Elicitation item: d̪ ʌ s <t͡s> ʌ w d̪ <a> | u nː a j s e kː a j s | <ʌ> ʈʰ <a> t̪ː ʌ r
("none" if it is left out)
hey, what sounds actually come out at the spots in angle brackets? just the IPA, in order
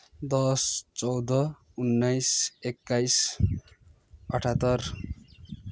t͡s, ʌ, ʌ, a

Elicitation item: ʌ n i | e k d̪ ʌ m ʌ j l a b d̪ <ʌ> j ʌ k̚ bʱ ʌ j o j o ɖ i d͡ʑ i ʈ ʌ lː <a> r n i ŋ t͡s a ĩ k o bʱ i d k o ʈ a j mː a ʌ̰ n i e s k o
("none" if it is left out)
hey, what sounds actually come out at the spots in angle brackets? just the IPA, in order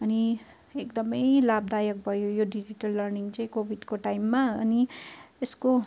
a, ʌ

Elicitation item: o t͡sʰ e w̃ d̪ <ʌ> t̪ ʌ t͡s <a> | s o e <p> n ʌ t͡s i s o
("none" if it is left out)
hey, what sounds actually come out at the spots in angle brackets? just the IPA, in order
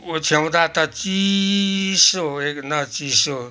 a, i, k

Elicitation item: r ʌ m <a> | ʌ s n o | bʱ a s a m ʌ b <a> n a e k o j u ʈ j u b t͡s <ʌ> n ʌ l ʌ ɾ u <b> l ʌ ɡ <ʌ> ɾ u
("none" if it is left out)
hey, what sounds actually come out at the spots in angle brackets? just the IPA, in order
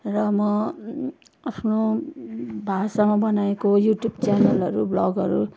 ʌ, ʌ, a, b, ʌ

